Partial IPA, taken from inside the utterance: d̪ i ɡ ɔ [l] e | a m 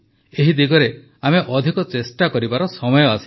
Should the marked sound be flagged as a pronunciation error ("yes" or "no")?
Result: yes